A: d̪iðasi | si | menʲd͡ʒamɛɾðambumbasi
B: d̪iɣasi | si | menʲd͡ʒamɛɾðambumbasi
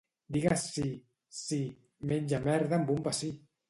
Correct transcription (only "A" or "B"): B